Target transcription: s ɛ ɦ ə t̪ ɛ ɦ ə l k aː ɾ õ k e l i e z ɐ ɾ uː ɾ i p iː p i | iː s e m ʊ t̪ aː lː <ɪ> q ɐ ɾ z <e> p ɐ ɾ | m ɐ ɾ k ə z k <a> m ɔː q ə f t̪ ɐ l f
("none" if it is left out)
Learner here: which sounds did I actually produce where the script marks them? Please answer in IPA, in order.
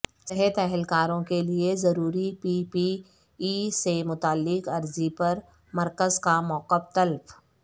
ɪ, i, a

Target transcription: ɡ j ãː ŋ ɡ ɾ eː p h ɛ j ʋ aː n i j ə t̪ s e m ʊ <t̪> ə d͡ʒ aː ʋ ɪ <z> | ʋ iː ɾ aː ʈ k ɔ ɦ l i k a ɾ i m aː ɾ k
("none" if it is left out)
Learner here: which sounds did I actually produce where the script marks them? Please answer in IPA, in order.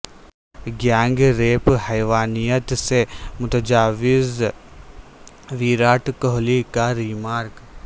t̪, z

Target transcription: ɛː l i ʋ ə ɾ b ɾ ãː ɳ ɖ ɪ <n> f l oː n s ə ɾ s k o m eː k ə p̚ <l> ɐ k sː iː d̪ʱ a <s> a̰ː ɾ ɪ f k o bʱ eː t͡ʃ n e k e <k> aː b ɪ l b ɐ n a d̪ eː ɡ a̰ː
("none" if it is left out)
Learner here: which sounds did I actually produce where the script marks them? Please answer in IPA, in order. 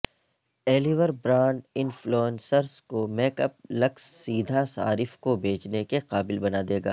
n, l, s, q

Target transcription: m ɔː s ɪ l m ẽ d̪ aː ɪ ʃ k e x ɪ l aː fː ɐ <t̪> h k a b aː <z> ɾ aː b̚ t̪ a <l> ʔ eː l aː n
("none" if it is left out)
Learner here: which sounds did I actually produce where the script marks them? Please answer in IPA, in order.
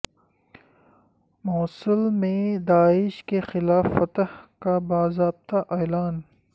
t̪, z, none

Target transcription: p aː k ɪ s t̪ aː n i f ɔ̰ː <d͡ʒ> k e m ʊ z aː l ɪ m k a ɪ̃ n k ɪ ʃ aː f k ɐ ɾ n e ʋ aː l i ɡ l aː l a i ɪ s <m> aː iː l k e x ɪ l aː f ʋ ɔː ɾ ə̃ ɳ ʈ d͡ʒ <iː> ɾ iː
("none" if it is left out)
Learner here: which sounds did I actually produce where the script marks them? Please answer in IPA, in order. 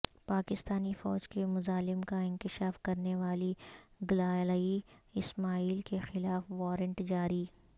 d͡ʒ, m, aː

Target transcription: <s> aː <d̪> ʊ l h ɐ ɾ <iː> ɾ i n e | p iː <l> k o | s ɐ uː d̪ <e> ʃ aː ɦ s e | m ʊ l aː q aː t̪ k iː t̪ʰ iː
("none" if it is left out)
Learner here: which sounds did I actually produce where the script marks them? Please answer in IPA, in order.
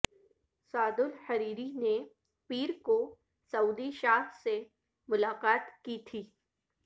s, d̪, iː, ɾ, i

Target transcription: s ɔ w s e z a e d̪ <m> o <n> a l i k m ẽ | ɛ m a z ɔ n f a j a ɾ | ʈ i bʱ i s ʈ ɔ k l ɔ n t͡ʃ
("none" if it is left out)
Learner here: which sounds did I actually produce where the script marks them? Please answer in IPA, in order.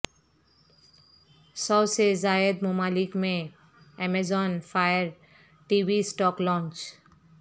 m, m

